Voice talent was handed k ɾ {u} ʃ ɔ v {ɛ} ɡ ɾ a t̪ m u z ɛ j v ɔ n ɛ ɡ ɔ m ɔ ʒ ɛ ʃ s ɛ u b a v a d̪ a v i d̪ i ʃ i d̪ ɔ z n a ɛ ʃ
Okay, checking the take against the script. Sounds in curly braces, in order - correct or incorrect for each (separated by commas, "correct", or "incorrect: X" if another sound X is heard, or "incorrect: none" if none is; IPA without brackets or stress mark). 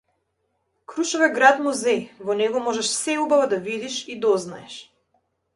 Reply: correct, correct